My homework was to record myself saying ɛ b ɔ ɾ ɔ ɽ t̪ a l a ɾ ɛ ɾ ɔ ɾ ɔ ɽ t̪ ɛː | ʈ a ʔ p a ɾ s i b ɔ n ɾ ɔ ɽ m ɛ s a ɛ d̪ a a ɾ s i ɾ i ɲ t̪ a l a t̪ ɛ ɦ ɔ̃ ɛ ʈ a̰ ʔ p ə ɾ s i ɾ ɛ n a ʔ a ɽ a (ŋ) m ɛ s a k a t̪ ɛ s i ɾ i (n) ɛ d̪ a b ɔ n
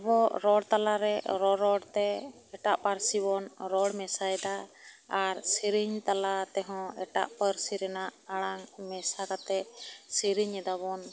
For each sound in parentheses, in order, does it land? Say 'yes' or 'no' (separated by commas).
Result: yes, no